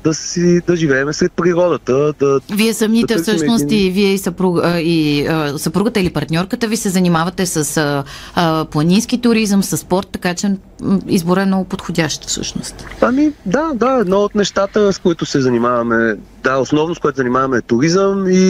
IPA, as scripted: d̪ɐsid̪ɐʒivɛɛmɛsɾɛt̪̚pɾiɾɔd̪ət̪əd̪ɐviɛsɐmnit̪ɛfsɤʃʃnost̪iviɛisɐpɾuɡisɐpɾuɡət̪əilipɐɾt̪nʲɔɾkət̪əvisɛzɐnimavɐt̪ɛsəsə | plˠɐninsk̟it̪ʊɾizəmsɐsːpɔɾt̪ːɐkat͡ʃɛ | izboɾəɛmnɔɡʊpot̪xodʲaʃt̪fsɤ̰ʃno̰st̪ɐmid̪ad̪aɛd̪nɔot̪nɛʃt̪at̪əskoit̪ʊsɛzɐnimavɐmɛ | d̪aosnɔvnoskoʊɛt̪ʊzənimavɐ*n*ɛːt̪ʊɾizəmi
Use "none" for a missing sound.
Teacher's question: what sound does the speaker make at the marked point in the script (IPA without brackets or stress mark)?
m